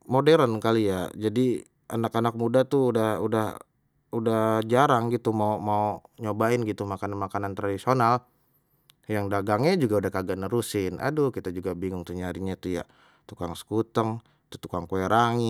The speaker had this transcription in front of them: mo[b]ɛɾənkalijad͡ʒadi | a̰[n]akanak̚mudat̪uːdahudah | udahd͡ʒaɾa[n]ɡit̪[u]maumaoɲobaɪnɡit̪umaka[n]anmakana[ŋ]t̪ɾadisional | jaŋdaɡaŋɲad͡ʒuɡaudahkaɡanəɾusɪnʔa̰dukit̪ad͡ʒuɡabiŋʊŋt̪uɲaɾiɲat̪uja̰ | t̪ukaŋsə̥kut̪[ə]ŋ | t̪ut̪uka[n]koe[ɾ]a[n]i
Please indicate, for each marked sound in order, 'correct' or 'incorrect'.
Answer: incorrect, correct, incorrect, correct, correct, incorrect, correct, incorrect, correct, incorrect

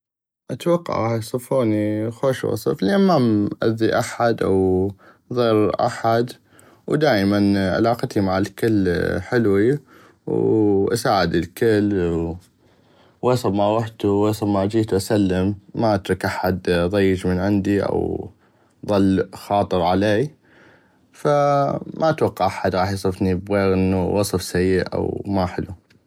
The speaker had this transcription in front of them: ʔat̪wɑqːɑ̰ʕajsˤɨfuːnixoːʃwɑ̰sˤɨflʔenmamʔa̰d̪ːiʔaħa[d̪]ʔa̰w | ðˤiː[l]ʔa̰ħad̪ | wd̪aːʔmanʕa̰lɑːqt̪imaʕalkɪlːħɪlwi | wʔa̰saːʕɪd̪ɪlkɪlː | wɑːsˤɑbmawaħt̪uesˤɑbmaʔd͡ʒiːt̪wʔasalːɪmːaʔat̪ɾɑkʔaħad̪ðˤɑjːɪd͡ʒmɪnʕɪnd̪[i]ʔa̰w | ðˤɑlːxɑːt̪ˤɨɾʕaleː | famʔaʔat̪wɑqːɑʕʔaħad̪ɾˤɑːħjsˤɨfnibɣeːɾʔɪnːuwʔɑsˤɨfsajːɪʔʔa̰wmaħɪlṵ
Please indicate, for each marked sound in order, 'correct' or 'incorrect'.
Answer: correct, incorrect, correct

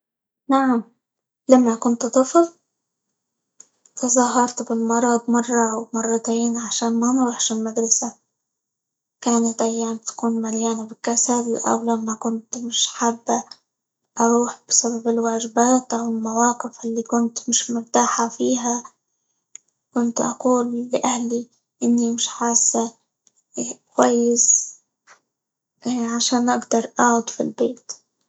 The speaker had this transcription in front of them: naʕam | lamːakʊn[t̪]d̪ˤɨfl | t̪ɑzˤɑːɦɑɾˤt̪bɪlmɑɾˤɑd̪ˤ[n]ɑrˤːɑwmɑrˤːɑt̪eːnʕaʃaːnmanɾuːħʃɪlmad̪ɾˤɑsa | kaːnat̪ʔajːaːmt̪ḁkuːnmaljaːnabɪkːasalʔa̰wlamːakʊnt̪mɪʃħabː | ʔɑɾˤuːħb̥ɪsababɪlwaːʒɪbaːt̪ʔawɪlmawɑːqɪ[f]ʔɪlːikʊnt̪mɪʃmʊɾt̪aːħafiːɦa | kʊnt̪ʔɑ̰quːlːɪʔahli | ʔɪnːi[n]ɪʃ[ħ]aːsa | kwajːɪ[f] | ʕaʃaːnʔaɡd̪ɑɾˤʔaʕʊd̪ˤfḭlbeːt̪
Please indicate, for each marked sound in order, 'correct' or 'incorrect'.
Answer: correct, incorrect, correct, incorrect, correct, incorrect

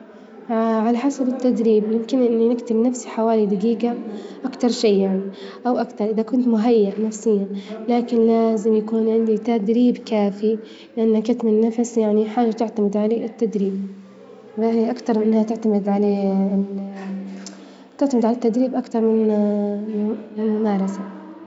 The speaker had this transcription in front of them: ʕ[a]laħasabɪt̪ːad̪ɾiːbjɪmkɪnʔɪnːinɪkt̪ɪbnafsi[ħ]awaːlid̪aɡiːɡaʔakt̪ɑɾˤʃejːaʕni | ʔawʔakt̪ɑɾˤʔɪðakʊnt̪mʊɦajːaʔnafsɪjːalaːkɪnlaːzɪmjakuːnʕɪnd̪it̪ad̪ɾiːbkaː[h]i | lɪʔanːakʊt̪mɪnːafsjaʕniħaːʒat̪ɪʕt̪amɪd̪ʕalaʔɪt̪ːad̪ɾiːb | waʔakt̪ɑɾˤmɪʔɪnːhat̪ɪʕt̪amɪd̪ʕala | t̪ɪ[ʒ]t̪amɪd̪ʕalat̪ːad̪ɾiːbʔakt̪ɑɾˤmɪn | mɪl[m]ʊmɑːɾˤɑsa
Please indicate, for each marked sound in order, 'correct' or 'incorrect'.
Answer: correct, correct, incorrect, incorrect, correct

